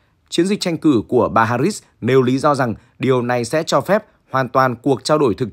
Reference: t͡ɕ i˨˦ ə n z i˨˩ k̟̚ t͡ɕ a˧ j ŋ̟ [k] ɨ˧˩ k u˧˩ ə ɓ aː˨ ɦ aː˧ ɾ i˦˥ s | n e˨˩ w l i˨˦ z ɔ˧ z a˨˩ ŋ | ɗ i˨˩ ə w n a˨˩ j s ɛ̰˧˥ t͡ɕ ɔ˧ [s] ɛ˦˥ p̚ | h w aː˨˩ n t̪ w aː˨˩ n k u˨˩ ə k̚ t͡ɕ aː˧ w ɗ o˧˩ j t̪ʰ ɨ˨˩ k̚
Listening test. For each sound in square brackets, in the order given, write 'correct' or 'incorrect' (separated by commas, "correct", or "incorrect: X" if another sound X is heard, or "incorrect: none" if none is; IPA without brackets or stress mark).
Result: correct, incorrect: f